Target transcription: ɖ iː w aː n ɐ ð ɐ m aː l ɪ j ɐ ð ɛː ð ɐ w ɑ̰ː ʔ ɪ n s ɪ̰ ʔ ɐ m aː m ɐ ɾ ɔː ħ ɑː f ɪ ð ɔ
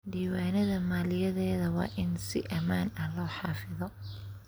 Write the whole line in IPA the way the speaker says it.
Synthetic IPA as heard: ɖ iː w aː n ɐ ð ɐ m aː l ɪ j ɐ ð ɛː ð ɐ w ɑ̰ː ʔ ɪ n s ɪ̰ ʔ ɐ m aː n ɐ l ɔː ħ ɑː f ɪ ð ɔ